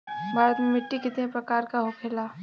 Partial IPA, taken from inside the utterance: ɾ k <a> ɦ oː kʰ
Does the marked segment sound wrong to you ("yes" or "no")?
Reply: no